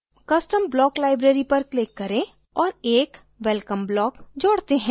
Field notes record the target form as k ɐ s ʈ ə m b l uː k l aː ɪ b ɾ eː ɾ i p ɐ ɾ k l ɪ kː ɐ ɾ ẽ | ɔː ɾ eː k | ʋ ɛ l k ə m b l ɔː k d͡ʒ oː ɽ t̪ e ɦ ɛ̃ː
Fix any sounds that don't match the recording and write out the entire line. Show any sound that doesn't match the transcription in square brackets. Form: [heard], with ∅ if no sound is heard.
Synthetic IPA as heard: k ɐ s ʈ ə m b l [ɔː] k l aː ɪ b ɾ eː ɾ i p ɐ ɾ k l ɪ kː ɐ ɾ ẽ | ɔː ɾ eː k | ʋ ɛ l k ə m b l ɔː k d͡ʒ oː ɽ t̪ e ɦ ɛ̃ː